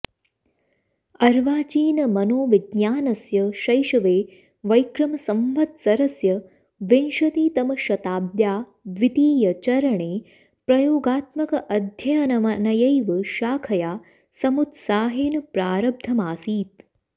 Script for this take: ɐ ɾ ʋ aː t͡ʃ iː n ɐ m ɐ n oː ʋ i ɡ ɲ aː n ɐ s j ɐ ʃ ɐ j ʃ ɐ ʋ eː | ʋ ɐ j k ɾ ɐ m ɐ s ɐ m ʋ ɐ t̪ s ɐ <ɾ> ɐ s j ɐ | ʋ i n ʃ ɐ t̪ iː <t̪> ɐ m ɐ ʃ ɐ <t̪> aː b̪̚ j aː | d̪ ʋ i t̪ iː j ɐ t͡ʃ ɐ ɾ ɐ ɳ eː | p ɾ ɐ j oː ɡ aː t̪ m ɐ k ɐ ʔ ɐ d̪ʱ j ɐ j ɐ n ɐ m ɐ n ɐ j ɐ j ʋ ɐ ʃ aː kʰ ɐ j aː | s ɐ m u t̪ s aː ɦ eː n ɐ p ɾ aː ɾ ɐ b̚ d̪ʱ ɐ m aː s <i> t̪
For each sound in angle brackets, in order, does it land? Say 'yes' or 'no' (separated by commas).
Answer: yes, yes, yes, no